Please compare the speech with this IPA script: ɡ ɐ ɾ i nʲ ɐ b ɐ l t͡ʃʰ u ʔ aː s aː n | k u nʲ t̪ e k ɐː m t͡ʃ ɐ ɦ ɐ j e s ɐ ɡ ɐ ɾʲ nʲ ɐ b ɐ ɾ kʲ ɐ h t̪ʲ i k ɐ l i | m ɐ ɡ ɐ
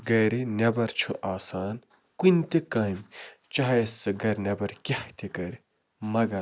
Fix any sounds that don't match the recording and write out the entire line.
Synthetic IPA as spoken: ɡ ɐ ɾ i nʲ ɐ b ɐ ɾ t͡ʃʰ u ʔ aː s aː n | k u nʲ t̪ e k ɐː m t͡ʃ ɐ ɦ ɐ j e s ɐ ɡ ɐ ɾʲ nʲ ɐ b ɐ ɾ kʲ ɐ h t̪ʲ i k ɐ ɾ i | m ɐ ɡ ɐ